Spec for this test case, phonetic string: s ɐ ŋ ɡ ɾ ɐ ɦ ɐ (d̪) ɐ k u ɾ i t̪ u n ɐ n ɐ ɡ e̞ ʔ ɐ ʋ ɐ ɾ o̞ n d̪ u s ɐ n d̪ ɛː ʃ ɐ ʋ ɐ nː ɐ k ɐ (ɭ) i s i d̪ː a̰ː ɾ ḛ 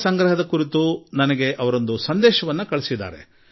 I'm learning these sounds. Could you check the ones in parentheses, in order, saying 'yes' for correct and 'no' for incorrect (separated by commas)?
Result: yes, yes